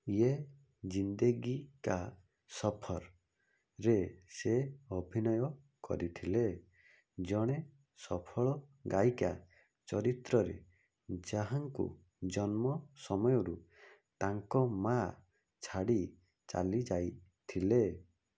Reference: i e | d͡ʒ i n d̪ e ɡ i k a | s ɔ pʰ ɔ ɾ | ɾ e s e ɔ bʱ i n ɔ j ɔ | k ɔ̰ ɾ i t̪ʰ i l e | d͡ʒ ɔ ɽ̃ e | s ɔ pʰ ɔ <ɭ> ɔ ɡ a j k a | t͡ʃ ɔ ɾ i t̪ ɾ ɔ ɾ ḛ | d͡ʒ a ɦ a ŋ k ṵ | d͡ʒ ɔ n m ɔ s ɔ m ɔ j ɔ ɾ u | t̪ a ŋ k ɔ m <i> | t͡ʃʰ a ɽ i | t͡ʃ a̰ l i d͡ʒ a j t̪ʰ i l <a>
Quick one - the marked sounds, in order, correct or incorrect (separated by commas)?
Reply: correct, incorrect, incorrect